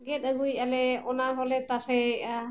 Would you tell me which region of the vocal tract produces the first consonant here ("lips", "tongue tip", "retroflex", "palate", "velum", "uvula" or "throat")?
velum